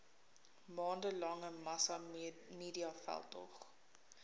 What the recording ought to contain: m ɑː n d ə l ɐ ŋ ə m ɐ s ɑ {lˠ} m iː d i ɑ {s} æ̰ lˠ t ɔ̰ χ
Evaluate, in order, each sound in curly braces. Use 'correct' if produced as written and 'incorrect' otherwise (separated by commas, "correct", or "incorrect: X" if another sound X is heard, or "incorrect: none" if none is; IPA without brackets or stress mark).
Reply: incorrect: none, incorrect: f